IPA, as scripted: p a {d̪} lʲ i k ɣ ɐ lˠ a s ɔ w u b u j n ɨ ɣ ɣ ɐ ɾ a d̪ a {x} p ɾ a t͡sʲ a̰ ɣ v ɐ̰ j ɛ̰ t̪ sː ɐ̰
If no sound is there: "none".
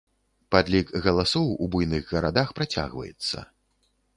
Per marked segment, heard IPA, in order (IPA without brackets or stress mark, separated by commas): d̪, x